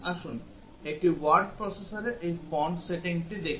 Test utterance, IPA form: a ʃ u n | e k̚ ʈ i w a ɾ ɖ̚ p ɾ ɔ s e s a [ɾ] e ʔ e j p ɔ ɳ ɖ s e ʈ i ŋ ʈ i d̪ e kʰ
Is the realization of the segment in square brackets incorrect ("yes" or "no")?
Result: no